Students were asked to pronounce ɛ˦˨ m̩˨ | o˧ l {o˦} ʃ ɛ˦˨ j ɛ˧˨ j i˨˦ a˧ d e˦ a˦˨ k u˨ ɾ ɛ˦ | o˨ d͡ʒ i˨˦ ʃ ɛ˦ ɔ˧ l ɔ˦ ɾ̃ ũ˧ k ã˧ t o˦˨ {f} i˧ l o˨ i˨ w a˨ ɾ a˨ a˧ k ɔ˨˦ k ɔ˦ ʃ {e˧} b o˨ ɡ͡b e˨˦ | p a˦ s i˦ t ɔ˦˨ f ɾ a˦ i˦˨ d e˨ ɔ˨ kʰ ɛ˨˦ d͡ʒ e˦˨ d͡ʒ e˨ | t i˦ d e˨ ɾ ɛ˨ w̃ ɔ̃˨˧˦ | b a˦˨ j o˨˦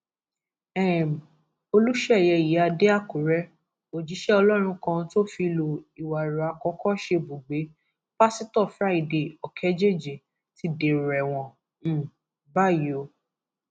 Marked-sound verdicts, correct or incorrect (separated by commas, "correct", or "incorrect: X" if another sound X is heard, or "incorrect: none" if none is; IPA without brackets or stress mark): incorrect: u˦, correct, correct